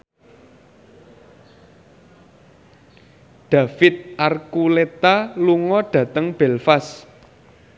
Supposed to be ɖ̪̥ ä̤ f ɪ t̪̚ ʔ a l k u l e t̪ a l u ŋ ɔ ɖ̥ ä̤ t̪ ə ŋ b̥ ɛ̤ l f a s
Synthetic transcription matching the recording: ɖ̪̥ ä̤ f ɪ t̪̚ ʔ a r k u l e t̪ a l u ŋ ɔ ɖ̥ ä̤ t̪ ə ŋ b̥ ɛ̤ l f a s